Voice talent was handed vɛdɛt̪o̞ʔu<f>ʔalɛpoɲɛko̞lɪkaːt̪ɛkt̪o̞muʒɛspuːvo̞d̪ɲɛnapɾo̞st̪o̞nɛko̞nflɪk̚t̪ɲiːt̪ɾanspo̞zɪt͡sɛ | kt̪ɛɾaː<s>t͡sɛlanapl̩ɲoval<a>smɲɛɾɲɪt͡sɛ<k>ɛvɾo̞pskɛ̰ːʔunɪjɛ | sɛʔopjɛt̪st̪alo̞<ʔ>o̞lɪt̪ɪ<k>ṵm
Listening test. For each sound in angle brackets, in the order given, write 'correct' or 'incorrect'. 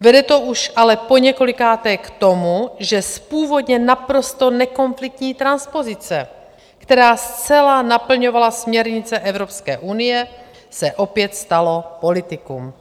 incorrect: ʃ, correct, correct, incorrect: ʔ, incorrect: p, correct

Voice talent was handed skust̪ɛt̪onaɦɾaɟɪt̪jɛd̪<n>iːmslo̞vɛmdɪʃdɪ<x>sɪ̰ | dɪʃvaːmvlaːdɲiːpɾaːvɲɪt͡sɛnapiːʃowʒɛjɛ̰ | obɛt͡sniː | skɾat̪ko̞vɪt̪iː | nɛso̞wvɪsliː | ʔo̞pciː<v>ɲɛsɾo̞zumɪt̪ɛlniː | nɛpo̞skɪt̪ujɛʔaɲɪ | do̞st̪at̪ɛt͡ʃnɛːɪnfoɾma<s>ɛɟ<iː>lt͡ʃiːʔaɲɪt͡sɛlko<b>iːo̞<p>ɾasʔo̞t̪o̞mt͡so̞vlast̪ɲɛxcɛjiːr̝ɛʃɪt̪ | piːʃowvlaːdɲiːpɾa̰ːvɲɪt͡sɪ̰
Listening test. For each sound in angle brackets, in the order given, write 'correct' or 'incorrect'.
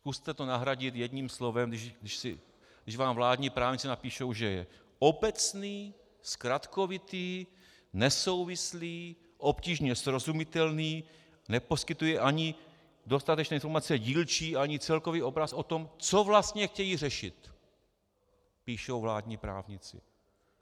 incorrect: ɲ, incorrect: ʃ, incorrect: ʒ, incorrect: t͡s, correct, incorrect: v, incorrect: b

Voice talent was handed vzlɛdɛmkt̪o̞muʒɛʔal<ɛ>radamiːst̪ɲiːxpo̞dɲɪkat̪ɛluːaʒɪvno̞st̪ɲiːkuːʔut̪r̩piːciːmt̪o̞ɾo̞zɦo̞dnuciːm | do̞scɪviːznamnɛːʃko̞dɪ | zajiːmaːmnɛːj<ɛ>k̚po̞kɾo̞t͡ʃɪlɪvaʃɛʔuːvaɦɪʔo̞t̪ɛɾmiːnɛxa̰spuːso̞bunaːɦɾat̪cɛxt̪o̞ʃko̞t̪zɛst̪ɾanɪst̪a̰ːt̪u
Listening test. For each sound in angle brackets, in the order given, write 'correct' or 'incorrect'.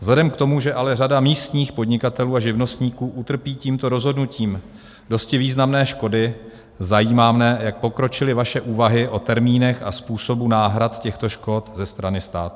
correct, incorrect: a

